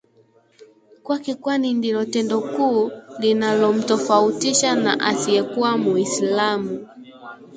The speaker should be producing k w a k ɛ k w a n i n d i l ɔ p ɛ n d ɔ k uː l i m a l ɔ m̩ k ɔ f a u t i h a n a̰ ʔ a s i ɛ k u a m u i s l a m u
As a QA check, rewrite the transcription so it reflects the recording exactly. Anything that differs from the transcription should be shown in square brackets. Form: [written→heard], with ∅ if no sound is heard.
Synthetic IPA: k w a k [ɛ→i] k w a n i n d i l ɔ [p→t] ɛ n d ɔ k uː l i [m→n] a l ɔ m̩ [k→t] ɔ f a u t i [h→ʃ] a n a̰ ʔ a s i ɛ k u a m u i s l a m u